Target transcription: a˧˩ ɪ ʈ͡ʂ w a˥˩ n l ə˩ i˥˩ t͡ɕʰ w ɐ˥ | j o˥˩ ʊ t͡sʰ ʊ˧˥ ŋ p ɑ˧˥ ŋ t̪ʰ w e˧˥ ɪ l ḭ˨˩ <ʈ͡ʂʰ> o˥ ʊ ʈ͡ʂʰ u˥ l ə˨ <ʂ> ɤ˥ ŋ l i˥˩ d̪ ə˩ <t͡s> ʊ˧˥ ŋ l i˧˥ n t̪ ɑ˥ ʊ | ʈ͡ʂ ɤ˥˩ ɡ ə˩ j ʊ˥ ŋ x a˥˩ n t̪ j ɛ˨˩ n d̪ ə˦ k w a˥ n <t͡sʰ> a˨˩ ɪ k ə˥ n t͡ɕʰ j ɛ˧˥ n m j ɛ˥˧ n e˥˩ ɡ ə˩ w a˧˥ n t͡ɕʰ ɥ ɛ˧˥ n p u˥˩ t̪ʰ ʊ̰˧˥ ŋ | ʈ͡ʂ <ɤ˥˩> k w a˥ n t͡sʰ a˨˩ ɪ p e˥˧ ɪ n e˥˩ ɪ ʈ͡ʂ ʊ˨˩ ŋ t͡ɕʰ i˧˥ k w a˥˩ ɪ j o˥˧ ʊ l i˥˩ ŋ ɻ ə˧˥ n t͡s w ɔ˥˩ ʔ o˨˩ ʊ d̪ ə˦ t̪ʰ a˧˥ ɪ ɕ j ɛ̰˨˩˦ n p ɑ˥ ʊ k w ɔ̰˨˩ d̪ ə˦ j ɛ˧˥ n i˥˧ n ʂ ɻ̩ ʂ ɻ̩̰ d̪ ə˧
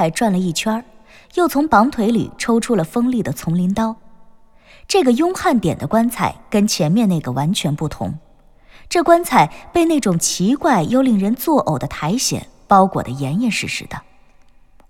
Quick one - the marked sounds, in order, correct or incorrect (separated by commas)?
correct, incorrect, incorrect, correct, correct